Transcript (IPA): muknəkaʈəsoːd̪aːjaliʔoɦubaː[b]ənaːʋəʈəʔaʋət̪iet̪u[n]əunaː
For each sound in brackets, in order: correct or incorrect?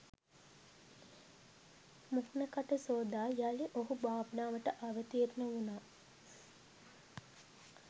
correct, correct

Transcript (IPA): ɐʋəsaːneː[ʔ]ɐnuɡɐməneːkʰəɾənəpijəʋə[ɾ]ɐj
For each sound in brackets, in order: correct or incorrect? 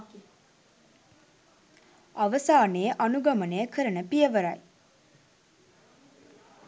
correct, correct

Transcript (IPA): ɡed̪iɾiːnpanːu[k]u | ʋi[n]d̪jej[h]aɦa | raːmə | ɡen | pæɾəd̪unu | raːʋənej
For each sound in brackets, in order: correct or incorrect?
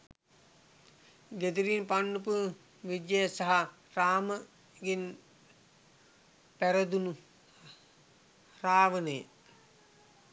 incorrect, incorrect, incorrect

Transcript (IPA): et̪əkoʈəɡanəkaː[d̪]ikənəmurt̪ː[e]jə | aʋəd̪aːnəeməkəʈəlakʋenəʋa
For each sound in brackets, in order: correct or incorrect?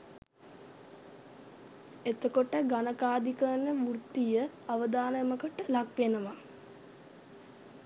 correct, incorrect

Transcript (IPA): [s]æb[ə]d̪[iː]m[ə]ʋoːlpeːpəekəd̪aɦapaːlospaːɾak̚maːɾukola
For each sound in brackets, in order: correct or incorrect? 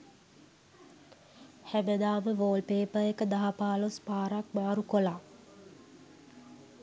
incorrect, correct, incorrect, correct

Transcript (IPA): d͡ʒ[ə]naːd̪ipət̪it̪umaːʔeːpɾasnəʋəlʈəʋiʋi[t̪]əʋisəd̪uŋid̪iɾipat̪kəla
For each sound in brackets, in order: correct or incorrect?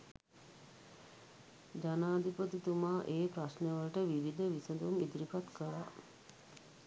incorrect, incorrect

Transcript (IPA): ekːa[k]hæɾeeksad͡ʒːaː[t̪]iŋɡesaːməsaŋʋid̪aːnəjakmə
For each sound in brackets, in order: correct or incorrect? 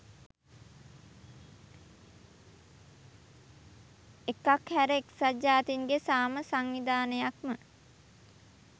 correct, correct

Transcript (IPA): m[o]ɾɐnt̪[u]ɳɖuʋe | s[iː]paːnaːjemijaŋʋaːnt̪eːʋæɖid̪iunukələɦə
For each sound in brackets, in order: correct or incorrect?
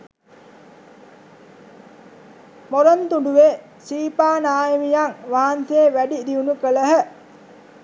correct, correct, correct

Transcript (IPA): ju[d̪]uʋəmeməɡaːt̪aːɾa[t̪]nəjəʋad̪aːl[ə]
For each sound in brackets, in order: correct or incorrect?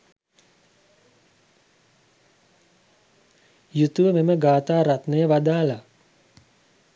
incorrect, correct, incorrect

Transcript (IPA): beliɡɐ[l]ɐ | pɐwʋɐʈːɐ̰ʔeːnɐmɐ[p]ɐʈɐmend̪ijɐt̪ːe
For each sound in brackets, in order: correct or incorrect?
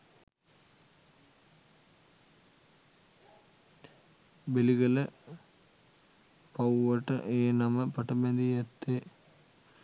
correct, correct

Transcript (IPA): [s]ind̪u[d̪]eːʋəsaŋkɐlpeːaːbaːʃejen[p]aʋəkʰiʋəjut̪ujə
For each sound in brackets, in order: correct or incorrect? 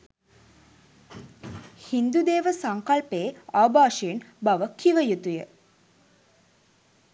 incorrect, correct, incorrect

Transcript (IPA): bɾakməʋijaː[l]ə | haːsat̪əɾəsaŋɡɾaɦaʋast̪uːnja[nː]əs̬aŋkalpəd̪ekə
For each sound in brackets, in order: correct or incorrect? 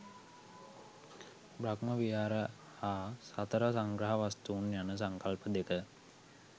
incorrect, incorrect

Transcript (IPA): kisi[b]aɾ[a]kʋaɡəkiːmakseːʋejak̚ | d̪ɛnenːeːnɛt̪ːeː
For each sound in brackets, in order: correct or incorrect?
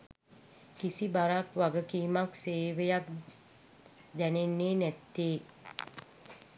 correct, correct

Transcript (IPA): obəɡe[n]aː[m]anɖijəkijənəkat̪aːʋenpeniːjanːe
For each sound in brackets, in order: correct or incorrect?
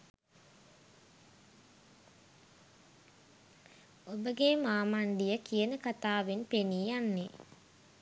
incorrect, correct

